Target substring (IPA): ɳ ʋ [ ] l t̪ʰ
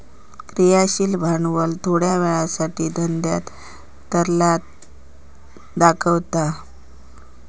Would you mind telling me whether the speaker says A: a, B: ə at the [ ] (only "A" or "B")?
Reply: B